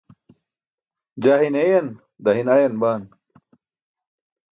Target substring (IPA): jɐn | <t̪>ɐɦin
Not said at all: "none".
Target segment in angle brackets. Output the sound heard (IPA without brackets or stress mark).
d̪